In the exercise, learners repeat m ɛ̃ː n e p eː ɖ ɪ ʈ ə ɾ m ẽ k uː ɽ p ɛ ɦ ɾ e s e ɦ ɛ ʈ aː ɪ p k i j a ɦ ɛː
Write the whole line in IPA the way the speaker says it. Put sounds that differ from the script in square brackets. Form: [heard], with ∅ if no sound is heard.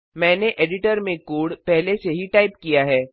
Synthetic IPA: m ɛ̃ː n e [ʔ] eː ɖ ɪ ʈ ə ɾ m ẽ k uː ɽ p ɛ ɦ [l] e s e ɦ [i] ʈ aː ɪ p k i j a ɦ ɛː